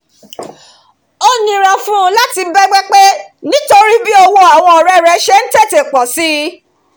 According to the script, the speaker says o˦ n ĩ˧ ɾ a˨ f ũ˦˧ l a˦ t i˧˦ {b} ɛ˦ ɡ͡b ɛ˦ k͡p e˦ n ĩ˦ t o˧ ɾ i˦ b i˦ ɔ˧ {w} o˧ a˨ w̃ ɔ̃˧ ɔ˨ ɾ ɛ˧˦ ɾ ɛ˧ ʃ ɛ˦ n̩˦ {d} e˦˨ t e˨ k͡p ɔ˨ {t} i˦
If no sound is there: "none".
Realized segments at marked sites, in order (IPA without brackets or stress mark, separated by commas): b, w, t, s